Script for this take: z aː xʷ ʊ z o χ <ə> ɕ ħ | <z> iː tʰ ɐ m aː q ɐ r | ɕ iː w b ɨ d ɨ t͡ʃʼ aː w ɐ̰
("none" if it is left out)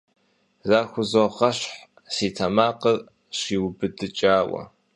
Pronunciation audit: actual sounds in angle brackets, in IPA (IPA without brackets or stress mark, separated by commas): ɐ, s